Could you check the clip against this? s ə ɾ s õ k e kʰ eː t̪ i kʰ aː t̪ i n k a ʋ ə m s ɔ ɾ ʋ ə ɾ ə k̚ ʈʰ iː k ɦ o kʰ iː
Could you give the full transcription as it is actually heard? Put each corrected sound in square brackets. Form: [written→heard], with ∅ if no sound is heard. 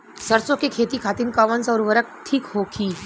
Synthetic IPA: s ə ɾ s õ k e kʰ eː t̪ i kʰ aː t̪ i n k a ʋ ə [m→n] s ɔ ɾ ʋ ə ɾ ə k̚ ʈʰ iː k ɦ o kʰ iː